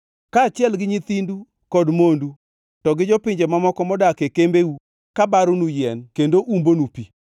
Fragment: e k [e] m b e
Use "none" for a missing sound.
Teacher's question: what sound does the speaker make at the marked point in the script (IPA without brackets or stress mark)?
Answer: e